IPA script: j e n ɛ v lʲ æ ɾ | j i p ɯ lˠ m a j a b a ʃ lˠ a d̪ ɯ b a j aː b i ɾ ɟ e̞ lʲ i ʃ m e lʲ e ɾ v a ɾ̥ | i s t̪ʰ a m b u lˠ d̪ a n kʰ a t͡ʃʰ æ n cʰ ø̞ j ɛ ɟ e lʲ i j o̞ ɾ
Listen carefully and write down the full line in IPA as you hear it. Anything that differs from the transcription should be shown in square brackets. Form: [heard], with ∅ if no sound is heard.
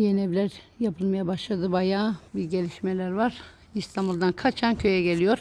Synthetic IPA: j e n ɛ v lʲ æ ɾ | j [a] p ɯ lˠ m a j a b a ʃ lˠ a d̪ ɯ b a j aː b i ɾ ɟ e̞ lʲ i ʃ m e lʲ [æ] ɾ v a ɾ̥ | i s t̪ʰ a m b u lˠ d̪ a n kʰ a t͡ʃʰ [a] n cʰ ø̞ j ɛ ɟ e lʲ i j o̞ ɾ